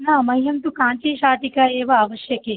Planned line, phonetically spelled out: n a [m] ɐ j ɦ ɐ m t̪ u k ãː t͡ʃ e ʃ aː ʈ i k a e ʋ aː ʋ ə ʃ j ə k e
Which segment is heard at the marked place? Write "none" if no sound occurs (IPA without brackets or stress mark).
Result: m